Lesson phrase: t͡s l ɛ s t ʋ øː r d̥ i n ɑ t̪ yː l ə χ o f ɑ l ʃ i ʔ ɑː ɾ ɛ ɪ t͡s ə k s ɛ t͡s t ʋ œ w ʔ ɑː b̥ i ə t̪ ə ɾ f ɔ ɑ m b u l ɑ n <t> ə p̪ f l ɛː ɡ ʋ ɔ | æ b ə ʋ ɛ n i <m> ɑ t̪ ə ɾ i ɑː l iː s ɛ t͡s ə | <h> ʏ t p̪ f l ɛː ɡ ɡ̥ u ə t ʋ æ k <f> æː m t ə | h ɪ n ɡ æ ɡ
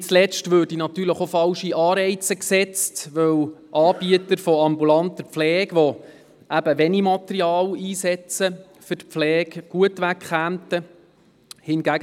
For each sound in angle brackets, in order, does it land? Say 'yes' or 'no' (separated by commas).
yes, yes, no, no